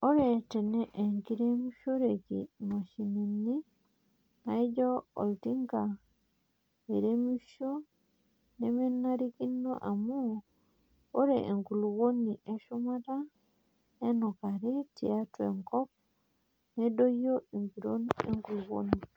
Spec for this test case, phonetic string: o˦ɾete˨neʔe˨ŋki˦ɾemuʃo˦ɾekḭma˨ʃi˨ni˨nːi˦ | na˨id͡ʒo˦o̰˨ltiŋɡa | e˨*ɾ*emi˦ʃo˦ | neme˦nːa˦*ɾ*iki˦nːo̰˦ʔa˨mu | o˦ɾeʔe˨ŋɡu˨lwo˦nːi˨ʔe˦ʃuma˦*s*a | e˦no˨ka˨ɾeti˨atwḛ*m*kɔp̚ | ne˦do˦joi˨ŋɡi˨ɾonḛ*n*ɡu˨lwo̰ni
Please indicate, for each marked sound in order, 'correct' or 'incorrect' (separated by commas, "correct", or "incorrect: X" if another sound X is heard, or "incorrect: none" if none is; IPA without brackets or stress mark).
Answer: correct, correct, incorrect: t, incorrect: ŋ, incorrect: ŋ